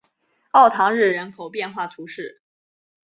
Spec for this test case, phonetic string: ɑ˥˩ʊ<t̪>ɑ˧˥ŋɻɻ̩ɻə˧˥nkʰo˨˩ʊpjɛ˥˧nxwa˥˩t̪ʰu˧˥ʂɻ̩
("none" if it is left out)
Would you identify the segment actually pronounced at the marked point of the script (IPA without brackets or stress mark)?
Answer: t̪ʰ